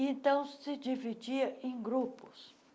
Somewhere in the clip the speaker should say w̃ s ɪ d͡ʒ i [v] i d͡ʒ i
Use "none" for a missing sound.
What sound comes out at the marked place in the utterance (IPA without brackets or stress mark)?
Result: v